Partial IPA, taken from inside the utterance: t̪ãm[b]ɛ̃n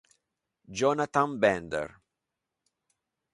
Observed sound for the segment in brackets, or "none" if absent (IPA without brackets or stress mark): b